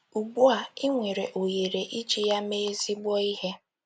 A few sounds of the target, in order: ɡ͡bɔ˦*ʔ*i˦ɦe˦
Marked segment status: incorrect: none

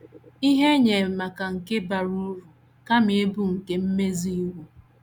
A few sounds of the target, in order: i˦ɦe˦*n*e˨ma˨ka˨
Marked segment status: incorrect: ɲ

